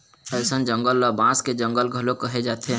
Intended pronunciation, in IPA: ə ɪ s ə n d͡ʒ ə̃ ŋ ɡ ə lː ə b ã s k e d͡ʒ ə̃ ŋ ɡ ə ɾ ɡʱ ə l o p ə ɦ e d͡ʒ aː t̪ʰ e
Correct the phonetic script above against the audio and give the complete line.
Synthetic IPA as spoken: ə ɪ s ə n d͡ʒ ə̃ ŋ ɡ ə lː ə b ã s k e d͡ʒ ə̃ ŋ ɡ ə l ɡʱ ə l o k ə ɦ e d͡ʒ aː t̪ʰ e